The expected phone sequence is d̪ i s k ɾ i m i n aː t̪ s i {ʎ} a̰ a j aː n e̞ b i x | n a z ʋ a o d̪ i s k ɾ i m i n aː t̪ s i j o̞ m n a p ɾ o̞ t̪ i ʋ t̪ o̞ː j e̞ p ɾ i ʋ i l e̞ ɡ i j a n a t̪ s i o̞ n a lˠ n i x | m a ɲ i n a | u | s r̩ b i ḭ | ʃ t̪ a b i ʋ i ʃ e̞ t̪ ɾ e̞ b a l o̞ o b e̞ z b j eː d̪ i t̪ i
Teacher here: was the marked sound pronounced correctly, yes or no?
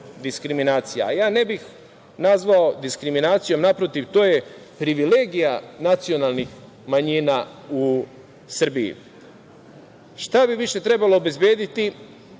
no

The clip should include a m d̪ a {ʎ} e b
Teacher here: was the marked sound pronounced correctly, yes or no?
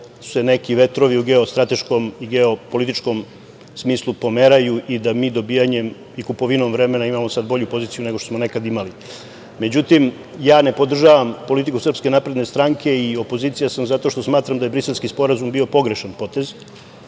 no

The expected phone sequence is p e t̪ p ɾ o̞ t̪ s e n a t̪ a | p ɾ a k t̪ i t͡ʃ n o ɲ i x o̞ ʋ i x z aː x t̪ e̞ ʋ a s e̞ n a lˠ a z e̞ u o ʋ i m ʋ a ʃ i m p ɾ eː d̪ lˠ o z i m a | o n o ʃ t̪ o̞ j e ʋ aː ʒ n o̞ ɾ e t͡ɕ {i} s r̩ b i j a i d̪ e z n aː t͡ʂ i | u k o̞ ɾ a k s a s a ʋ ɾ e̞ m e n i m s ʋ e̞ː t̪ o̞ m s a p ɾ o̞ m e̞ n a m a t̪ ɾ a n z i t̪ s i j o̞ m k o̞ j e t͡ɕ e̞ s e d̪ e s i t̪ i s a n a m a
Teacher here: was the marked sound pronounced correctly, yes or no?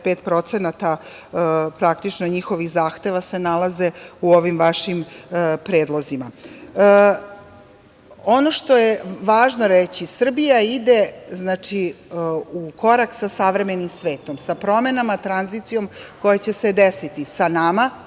yes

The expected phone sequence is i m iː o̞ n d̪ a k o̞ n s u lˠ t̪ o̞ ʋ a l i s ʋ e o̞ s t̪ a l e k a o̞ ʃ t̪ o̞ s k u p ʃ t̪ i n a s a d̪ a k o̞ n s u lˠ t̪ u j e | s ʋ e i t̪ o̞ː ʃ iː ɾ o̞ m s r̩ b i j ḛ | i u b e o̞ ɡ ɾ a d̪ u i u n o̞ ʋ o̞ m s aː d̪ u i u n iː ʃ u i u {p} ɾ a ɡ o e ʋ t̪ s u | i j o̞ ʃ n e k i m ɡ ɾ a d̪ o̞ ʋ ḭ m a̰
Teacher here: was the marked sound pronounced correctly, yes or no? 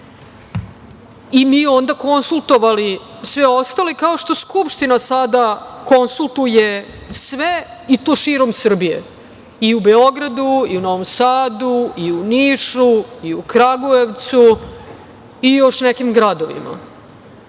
no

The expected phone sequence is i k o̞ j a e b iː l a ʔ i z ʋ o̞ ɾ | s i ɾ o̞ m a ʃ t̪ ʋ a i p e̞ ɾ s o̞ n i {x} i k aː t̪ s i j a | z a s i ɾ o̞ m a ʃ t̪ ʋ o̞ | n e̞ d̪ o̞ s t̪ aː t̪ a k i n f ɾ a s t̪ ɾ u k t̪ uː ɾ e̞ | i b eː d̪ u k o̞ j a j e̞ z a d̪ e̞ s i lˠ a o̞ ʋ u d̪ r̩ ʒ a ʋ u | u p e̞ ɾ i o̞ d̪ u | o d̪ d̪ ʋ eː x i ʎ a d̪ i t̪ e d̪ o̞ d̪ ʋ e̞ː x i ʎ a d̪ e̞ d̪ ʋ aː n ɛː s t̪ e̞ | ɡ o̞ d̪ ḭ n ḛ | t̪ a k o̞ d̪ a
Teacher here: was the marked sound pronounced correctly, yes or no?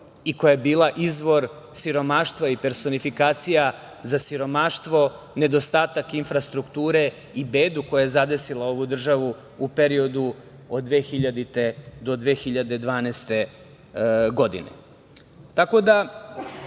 no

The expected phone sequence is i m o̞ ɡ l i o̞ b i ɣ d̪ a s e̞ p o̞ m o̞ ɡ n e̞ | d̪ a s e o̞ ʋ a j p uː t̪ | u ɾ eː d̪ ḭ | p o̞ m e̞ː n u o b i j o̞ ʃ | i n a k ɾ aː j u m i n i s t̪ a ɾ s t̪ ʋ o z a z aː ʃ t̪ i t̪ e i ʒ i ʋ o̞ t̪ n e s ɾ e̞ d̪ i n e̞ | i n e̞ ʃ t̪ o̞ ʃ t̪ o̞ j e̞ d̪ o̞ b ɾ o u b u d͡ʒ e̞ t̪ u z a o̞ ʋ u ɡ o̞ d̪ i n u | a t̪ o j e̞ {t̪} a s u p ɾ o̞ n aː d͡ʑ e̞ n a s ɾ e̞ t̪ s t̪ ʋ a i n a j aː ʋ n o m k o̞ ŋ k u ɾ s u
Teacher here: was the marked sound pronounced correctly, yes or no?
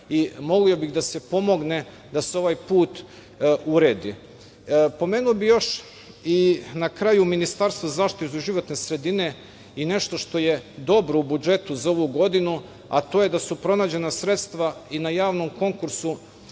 no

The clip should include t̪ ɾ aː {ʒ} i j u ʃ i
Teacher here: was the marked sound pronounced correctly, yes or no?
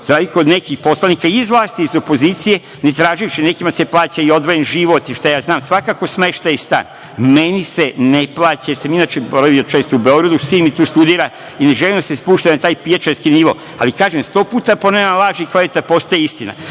yes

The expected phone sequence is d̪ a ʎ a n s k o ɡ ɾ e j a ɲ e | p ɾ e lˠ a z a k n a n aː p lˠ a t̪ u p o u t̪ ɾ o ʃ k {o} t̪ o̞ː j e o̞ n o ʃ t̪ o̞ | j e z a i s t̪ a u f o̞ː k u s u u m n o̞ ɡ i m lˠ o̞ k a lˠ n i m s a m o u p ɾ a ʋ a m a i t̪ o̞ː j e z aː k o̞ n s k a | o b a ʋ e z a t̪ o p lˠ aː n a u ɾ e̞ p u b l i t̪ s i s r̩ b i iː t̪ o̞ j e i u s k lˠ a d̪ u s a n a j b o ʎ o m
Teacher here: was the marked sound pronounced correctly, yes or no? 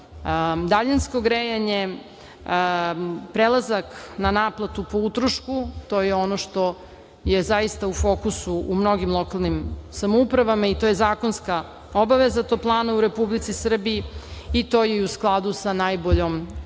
no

